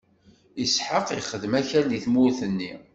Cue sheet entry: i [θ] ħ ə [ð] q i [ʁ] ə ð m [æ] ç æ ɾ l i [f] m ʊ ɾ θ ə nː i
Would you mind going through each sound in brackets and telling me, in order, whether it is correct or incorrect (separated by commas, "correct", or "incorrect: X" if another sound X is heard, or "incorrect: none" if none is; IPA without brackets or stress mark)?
incorrect: s, incorrect: none, incorrect: χ, correct, incorrect: θ